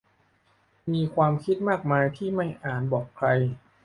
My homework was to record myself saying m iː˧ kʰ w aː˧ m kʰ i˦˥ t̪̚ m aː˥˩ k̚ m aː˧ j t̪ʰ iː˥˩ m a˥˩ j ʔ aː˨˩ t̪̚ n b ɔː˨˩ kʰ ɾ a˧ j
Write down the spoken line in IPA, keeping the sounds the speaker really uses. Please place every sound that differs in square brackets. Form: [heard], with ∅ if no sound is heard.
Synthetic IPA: m iː˧ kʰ w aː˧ m kʰ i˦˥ t̪̚ m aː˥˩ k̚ m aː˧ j t̪ʰ iː˥˩ m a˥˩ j ʔ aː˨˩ [∅] n b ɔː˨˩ kʰ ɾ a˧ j